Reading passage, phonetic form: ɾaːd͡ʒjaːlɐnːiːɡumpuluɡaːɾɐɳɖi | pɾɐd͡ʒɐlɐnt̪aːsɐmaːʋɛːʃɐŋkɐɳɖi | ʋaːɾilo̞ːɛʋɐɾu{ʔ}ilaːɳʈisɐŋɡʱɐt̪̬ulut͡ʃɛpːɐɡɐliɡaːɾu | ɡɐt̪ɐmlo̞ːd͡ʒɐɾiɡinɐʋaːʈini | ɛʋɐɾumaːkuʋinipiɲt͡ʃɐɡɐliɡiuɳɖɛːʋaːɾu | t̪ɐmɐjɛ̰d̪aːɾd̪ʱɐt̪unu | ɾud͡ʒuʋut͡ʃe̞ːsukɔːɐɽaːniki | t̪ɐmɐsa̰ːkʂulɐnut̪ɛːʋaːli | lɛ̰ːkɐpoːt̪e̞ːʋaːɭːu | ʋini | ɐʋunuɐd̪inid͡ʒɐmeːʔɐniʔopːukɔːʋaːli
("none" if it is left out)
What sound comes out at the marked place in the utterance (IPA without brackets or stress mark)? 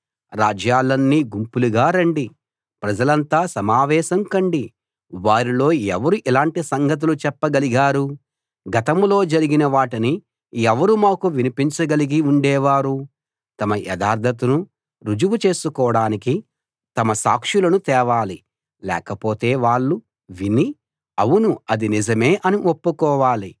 ʔ